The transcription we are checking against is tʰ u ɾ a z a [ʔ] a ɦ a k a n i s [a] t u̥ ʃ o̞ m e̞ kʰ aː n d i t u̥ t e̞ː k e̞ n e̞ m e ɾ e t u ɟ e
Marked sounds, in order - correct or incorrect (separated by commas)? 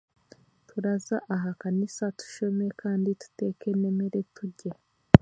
correct, correct